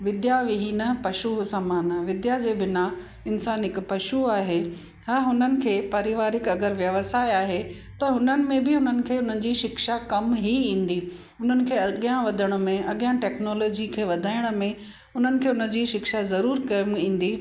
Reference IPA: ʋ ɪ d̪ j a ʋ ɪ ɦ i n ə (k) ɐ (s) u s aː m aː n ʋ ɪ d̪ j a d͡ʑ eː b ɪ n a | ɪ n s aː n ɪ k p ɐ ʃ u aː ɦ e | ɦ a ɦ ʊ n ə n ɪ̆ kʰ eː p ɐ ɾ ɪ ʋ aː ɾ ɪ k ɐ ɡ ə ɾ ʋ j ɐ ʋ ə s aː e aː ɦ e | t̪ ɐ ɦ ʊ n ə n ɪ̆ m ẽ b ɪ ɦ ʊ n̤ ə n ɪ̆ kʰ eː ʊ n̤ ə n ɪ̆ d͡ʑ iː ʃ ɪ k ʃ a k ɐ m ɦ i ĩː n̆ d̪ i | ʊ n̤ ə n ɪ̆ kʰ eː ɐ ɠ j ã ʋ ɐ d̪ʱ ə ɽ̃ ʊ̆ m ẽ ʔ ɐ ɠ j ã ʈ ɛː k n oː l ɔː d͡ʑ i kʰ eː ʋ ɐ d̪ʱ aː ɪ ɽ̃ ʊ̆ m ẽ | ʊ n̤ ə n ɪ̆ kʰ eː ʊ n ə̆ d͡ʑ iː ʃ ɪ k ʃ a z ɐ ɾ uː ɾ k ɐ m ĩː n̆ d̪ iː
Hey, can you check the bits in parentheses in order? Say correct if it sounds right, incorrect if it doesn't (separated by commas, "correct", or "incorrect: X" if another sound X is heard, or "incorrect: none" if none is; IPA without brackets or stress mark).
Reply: incorrect: p, incorrect: ʃ